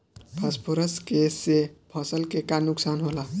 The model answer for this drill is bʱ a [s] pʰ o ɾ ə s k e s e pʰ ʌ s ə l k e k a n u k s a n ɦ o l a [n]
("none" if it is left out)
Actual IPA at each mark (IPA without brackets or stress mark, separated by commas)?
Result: s, none